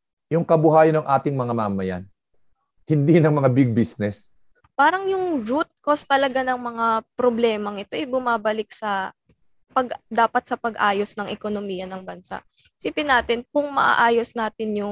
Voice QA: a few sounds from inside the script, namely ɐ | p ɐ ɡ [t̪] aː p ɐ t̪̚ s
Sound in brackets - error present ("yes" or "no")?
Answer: yes